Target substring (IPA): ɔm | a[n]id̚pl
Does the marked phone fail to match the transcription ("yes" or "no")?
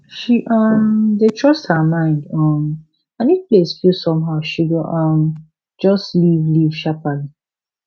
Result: no